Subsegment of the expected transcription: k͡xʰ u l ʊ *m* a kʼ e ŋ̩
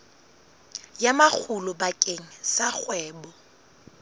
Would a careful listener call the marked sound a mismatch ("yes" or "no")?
yes